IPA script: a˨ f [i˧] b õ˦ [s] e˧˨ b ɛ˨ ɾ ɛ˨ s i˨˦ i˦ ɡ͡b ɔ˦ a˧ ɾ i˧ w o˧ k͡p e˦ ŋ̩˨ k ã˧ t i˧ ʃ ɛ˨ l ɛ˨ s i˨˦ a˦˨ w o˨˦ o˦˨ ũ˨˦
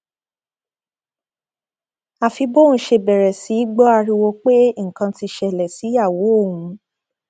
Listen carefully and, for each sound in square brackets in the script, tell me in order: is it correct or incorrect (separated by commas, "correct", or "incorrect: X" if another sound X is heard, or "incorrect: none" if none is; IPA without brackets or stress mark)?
correct, incorrect: ʃ